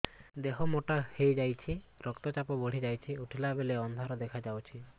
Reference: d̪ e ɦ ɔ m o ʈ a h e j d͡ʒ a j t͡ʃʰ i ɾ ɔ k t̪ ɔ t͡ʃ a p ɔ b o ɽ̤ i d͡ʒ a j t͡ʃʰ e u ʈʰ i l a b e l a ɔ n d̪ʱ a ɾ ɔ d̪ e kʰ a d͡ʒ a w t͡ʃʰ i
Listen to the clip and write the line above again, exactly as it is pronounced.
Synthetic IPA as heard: d̪ e ɦ ɔ m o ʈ a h e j d͡ʒ a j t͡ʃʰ i ɾ ɔ k t̪ ɔ t͡ʃ a p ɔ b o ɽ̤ i d͡ʒ a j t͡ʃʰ i u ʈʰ i l a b e l e ɔ n d̪ʱ a ɾ ɔ d̪ e kʰ a d͡ʒ a w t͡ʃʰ i